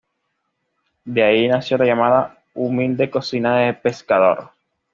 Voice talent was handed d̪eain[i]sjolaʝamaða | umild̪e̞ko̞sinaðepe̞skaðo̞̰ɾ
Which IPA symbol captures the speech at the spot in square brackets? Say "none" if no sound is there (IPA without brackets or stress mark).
a